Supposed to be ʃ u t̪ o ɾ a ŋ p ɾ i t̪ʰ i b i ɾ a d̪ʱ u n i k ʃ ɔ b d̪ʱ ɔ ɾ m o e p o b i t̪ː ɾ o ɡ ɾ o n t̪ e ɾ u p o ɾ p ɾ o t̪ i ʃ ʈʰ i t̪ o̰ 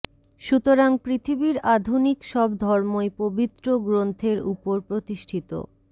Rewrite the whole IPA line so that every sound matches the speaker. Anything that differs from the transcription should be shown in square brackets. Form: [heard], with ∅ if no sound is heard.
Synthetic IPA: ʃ u t̪ o ɾ a ŋ p ɾ i t̪ʰ i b i ɾ a d̪ʱ u n i k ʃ ɔ b d̪ʱ ɔ ɾ m o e p o b i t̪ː ɾ o ɡ ɾ o n [t̪ʰ] e ɾ u p o ɾ p ɾ o t̪ i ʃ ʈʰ i t̪ o̰